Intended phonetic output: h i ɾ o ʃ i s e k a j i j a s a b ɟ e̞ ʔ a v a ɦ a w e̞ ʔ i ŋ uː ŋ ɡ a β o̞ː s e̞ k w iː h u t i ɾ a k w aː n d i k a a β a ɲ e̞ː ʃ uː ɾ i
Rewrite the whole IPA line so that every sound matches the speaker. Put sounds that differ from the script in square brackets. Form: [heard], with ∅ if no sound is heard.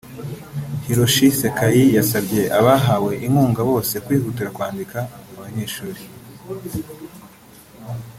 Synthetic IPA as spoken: h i ɾ o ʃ i s e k a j i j a s a b ɟ e̞ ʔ a [β] a ɦ a w e̞ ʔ i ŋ uː ŋ ɡ a β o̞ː s e̞ k w iː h u t i ɾ a k w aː n d i k a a β a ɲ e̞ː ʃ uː ɾ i

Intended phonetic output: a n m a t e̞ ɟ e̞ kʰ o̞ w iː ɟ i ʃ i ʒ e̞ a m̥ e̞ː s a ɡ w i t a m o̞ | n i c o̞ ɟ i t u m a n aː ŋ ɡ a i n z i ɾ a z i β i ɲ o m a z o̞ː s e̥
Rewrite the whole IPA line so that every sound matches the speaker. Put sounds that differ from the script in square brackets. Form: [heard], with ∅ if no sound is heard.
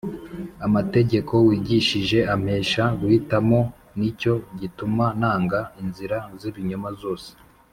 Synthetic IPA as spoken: a [∅] m a t e̞ ɟ e̞ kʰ o̞ w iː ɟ i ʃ i ʒ e̞ a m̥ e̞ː [ʃ] a ɡ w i t a m o̞ | n i c o̞ ɟ i t u m a n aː ŋ ɡ a i n z i ɾ a z i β i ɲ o m a z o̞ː s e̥

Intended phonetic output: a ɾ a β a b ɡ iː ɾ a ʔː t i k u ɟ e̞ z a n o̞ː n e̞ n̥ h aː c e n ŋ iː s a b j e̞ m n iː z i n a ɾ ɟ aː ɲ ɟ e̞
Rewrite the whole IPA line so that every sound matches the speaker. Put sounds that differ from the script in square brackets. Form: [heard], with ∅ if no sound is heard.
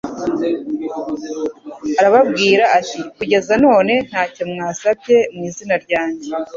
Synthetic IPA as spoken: a ɾ a β a b ɡ iː ɾ a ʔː t i k u ɟ e̞ z a n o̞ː n e̞ n̥ h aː c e [m] ŋ [aː] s a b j e̞ m [ŋ] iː z i n a ɾ ɟ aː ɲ ɟ e̞

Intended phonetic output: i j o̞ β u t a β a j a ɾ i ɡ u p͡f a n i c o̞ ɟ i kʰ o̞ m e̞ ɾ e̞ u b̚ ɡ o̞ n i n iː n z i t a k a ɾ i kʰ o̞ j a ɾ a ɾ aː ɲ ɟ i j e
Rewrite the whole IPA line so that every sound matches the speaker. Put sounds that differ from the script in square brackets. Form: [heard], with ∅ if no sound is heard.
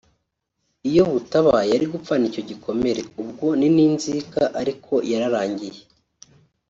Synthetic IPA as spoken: i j o̞ β u t a β a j a ɾ i ɡ u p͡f a n i c o̞ ɟ i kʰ o̞ m e̞ ɾ e̞ u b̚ ɡ o̞ n i n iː n z i [k] a [ʔ] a ɾ i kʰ o̞ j a ɾ a ɾ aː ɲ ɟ i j e

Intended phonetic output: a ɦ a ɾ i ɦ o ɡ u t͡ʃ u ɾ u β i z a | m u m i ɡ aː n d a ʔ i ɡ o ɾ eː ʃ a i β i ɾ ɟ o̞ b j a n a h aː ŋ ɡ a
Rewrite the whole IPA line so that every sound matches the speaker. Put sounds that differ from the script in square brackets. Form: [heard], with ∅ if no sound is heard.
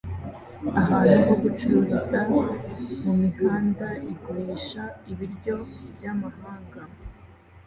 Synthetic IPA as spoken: a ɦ a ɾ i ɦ o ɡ u t͡ʃ u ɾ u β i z a | m u m i ɡ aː n d a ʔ i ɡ o ɾ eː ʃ a i β i ɾ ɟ o̞ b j a [m] a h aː ŋ ɡ a

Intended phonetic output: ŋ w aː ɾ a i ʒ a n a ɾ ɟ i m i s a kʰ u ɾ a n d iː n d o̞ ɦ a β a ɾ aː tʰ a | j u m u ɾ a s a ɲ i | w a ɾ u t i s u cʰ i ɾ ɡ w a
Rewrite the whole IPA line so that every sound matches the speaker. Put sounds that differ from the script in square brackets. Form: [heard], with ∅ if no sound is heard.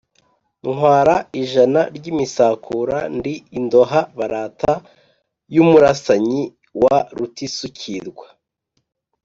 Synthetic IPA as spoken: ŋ w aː ɾ a i ʒ a n a ɾ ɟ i m i s a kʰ u ɾ a n d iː n d o̞ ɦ a β a ɾ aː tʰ a | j u m u ɾ a s a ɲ i | w a ɾ u t i s u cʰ i ɾ ɡ w a

